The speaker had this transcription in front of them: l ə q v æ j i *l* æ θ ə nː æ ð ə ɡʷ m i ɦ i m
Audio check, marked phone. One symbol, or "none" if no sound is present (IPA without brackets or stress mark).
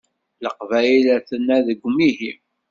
l